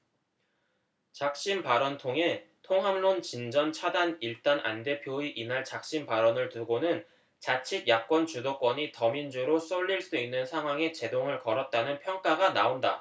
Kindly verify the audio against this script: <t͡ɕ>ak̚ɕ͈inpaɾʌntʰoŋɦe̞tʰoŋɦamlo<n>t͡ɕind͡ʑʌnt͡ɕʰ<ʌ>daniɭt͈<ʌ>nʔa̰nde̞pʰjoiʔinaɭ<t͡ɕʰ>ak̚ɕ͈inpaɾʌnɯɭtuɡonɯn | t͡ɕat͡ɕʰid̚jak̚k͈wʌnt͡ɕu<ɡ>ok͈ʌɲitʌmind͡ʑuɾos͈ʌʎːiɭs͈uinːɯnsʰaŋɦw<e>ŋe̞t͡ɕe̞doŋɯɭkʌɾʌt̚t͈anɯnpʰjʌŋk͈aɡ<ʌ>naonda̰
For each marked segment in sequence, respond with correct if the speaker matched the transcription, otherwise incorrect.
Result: correct, correct, incorrect: a, incorrect: a, incorrect: t͡ɕ, incorrect: d, incorrect: a, incorrect: a

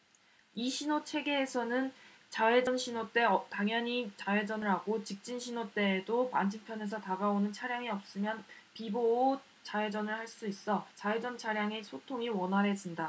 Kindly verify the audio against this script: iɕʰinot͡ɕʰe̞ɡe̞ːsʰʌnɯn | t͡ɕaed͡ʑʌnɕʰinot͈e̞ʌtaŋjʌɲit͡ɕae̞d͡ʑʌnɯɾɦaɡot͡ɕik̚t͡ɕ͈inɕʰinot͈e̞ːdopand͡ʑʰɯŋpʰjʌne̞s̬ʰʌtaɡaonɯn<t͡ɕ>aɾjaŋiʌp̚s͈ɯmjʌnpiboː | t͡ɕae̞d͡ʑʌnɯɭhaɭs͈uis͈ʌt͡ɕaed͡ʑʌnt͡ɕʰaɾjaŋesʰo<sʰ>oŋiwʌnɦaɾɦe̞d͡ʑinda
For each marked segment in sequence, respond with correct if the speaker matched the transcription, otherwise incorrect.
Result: incorrect: t͡ɕʰ, incorrect: tʰ

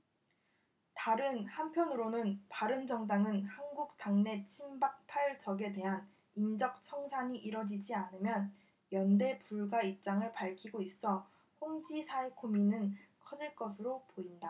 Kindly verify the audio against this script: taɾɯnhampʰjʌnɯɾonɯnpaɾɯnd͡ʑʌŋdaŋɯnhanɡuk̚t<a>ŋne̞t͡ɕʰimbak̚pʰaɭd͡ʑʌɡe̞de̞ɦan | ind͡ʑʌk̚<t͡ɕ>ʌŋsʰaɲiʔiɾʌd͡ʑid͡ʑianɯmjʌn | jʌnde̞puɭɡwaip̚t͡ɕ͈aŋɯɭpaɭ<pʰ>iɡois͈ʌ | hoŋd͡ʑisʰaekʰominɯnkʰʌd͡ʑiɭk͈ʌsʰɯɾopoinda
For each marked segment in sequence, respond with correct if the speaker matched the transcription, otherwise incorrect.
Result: correct, incorrect: t͡ɕʰ, incorrect: kʰ

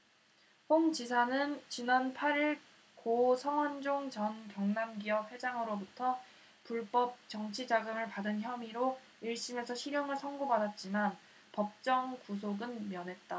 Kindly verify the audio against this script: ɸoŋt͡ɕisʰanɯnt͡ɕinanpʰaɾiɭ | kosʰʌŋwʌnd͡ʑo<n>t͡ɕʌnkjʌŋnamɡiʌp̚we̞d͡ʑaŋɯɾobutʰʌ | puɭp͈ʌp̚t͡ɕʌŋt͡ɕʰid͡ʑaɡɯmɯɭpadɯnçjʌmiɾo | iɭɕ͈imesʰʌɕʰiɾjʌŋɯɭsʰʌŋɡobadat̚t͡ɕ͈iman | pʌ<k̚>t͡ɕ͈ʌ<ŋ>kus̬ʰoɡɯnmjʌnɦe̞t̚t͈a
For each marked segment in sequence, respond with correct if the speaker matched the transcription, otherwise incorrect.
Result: incorrect: ŋ, incorrect: p̚, correct

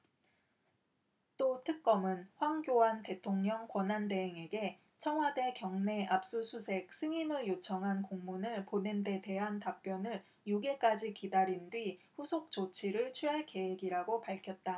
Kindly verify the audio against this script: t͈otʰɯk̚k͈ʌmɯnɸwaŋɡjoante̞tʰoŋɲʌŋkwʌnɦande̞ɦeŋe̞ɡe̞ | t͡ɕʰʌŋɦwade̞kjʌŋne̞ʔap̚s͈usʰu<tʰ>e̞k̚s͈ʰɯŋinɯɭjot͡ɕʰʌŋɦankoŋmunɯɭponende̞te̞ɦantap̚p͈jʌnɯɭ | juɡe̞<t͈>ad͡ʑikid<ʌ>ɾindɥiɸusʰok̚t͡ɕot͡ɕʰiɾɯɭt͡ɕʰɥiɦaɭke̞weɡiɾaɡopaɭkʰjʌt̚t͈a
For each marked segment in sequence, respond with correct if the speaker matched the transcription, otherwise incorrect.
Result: incorrect: sʰ, incorrect: k͈, incorrect: a

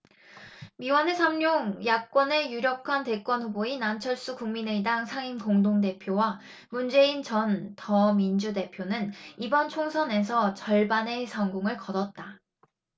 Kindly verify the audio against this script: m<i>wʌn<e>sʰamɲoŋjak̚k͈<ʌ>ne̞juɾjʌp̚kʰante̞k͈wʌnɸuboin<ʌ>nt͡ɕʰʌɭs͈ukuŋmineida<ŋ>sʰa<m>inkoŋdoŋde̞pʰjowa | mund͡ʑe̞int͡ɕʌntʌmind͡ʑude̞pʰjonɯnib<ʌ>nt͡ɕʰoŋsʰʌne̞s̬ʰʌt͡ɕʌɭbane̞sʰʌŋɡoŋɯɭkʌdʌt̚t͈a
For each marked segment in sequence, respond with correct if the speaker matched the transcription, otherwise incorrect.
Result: correct, correct, correct, incorrect: a, correct, incorrect: ŋ, correct

